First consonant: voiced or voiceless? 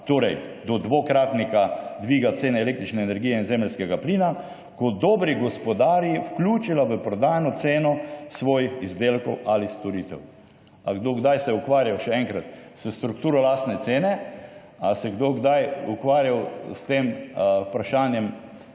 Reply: voiceless